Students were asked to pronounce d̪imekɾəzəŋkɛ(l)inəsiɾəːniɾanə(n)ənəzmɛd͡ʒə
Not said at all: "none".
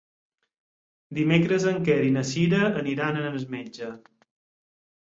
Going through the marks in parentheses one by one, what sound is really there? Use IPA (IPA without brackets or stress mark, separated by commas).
ɾ, n